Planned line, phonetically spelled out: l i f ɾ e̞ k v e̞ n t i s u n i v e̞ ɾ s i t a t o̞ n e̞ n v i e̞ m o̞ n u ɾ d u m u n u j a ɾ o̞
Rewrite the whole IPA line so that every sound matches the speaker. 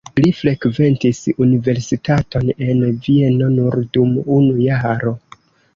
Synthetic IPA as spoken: l i f ɾ e̞ k v e̞ n t i s u n i v e̞ ɾ s i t a t o̞ n e̞ n v i e̞ n o̞ n u ɾ d u m u n u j a ɾ o̞